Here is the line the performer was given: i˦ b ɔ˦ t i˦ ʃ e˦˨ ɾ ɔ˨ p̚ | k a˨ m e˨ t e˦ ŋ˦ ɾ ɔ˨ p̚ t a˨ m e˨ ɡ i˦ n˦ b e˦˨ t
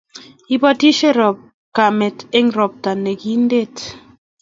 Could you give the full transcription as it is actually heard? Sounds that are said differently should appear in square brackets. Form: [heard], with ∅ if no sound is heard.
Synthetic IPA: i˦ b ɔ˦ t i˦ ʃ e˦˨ ɾ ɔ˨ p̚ | k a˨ m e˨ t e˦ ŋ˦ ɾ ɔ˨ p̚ t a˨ [n] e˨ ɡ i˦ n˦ [d] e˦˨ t